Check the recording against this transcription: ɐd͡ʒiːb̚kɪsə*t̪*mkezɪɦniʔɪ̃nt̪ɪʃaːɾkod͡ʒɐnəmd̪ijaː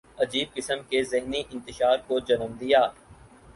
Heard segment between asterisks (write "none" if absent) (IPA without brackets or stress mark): none